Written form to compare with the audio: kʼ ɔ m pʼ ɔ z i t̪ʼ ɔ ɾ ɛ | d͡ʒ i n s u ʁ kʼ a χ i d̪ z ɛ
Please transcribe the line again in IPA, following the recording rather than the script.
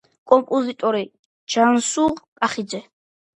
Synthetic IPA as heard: kʼ ɔ m pʼ ɔ z i t̪ʼ ɔ ɾ i | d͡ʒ a n s u ʁ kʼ a χ i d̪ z ɛ